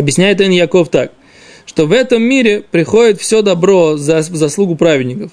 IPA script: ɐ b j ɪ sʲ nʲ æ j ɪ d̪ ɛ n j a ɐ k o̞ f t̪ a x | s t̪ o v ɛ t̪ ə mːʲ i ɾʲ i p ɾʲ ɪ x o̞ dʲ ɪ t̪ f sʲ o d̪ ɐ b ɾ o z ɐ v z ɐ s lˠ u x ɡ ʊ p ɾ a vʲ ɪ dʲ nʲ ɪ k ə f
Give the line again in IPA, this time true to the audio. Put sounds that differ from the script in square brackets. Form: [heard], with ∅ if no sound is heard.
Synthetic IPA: ɐ b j ɪ sʲ nʲ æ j ɪ [t̪] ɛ n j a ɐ k o̞ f t̪ a [k] | [ʂ] t̪ o v ɛ t̪ ə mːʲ i ɾʲ [ɪ] p ɾʲ ɪ x o̞ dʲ ɪ t̪ f sʲ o d̪ ɐ b ɾ o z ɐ v z ɐ s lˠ u [∅] ɡ ʊ p ɾ a vʲ ɪ dʲ nʲ ɪ k ə f